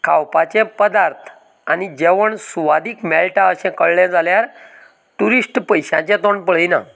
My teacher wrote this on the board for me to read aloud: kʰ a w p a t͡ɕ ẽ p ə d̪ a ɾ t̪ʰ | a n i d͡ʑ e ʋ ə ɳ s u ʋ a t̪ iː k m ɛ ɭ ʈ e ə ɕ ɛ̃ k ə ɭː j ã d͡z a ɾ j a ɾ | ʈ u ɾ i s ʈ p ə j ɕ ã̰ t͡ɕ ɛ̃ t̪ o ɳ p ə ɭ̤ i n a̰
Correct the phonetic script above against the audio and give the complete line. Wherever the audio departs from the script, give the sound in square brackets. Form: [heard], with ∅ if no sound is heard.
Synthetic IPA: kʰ a w p a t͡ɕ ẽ p ə d̪ a ɾ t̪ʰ | a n i d͡ʑ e ʋ ə ɳ s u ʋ a [d̪] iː k m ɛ [l] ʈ [a] ə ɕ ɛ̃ k ə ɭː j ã d͡z a [l] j a ɾ | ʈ u ɾ i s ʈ p ə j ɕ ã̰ t͡ɕ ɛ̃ t̪ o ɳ p ə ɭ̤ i n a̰